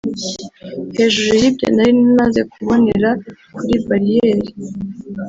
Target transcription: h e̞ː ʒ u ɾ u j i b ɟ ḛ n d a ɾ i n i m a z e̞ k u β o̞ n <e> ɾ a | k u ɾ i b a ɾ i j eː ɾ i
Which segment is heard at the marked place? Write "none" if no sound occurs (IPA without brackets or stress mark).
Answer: e